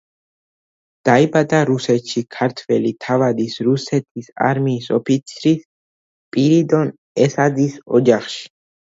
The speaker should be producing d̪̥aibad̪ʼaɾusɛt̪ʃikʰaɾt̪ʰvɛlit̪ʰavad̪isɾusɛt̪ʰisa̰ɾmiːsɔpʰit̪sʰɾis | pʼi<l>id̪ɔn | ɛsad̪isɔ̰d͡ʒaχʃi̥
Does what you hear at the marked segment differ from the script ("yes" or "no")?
yes